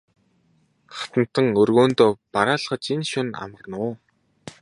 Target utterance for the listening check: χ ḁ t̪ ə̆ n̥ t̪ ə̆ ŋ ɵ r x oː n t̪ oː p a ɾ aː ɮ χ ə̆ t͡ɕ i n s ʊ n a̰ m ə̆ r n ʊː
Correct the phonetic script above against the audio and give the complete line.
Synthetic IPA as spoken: χ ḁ t̪ ə̆ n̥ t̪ ə̆ ŋ ɵ r ɣ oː n t̪ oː p a ɾ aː ɮ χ ə̆ t͡ɕ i n ʃ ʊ n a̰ m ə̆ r n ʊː